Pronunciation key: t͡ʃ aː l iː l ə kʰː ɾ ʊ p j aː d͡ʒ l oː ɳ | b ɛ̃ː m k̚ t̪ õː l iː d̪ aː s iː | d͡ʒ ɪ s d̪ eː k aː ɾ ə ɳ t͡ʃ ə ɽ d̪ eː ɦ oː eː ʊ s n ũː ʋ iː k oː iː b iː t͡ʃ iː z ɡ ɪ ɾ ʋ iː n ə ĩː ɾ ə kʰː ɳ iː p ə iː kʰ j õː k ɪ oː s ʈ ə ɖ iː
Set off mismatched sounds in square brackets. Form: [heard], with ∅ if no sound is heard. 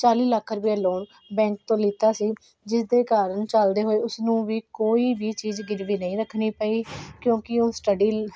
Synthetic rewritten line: t͡ʃ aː l iː l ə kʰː ɾ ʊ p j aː [∅] l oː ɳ | b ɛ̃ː [ŋ] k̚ t̪ õː l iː [t̪] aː s iː | d͡ʒ ɪ s d̪ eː k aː ɾ ə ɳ t͡ʃ ə [l] d̪ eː ɦ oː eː ʊ s n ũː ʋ iː k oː iː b iː t͡ʃ iː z ɡ ɪ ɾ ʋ iː n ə ĩː ɾ ə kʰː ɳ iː p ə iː [k] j õː k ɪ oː s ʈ ə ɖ iː